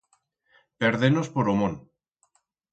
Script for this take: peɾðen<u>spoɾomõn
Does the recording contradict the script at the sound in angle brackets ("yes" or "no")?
yes